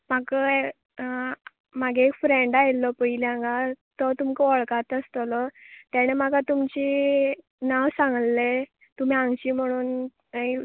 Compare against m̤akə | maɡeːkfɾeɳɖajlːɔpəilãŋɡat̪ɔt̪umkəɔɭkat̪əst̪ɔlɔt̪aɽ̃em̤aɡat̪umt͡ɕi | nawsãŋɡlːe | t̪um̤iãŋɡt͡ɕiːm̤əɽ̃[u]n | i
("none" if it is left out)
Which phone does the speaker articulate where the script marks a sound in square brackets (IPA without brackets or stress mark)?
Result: uː